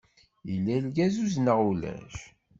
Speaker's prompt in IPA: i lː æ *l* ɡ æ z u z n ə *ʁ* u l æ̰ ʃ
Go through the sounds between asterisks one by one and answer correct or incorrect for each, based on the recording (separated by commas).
correct, correct